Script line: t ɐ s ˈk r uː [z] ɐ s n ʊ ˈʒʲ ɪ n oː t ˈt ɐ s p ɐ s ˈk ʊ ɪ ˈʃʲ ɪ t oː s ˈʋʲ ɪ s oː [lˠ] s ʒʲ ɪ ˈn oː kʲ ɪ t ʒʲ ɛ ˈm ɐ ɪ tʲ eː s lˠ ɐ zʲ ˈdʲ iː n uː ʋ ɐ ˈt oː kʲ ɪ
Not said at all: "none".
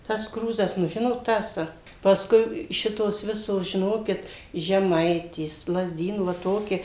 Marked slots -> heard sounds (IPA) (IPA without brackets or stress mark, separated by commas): z, none